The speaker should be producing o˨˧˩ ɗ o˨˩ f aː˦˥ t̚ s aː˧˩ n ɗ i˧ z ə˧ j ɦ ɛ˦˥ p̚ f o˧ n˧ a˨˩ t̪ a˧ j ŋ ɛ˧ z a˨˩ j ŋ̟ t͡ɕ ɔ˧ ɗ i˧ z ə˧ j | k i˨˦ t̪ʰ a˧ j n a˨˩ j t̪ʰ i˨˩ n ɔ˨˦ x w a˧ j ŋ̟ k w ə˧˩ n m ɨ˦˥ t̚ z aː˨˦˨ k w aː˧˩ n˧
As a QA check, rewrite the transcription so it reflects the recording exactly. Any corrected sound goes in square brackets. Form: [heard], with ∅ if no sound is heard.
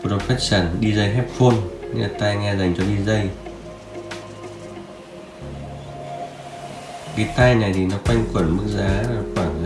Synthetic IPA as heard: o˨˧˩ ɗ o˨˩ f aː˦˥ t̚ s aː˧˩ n ɗ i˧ z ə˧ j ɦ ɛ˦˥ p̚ f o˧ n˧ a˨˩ t̪ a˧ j ŋ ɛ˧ z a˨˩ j ŋ̟ t͡ɕ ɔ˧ ɗ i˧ z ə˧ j | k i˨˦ [t̪] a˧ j n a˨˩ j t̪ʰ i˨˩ n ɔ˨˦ [k] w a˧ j ŋ̟ k w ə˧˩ n m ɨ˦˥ [k̚] z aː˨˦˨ k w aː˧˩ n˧